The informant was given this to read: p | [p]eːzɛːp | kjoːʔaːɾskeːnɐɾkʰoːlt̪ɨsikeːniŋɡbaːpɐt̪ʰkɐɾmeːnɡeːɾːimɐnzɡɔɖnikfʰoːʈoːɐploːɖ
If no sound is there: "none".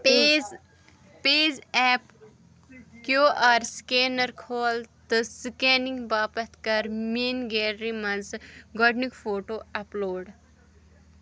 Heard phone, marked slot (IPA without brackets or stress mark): p